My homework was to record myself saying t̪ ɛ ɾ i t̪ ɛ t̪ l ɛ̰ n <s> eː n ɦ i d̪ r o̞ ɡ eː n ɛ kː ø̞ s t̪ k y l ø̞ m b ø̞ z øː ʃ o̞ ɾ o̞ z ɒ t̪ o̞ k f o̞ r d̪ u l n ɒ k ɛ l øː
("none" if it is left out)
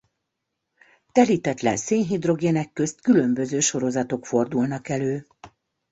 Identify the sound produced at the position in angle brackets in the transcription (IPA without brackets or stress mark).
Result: s